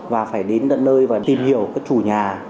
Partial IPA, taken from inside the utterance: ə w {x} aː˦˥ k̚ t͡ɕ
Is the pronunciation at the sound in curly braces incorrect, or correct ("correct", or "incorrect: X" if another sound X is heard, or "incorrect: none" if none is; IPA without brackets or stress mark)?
incorrect: k